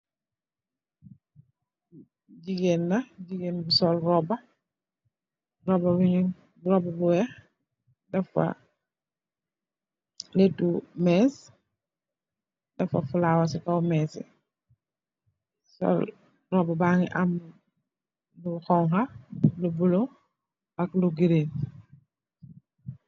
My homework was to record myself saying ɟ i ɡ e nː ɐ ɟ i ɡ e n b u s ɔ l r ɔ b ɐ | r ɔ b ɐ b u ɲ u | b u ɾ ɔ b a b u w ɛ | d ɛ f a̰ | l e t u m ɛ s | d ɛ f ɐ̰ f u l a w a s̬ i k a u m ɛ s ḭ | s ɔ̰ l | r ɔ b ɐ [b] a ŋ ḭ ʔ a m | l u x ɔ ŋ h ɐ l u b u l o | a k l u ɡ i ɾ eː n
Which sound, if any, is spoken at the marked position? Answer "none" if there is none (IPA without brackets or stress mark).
b